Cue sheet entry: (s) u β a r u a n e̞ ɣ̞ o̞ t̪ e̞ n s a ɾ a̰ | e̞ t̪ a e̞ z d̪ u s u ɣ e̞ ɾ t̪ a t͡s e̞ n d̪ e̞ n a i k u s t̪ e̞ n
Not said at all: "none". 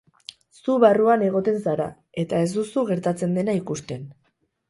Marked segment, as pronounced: s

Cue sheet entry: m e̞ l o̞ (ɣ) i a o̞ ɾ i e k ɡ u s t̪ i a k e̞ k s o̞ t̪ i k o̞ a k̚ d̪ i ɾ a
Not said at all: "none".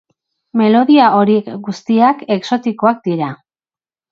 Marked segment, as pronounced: ð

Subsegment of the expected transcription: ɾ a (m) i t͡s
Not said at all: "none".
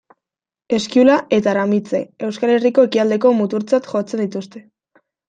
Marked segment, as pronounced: m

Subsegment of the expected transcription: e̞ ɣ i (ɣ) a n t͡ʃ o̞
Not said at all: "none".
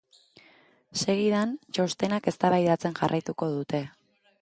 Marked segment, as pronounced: ð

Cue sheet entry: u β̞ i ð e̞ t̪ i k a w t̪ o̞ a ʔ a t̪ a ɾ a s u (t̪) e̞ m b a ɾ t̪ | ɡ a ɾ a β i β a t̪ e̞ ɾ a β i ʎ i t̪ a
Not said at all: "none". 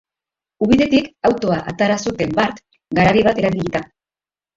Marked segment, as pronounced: t̪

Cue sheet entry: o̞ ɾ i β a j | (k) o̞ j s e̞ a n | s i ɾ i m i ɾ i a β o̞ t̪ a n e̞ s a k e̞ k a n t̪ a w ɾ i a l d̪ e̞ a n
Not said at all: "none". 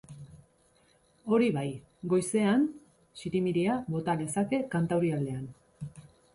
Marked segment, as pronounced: ɡ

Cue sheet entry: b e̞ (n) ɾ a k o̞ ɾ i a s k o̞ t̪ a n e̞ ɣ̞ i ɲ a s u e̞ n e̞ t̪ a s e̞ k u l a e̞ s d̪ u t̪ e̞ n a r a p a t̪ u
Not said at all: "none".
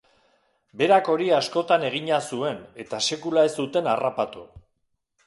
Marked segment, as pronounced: none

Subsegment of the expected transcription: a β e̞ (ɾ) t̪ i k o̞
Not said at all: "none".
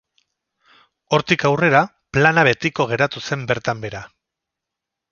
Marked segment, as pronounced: none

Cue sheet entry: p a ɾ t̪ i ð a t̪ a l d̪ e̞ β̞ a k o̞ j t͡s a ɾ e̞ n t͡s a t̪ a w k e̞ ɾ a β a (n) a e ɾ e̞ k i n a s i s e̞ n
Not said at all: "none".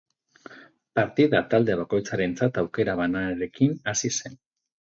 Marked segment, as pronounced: n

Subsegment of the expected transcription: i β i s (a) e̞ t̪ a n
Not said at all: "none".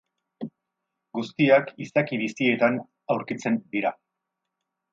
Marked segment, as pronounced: i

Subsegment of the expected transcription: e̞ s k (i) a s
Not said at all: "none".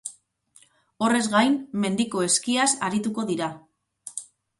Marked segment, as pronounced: i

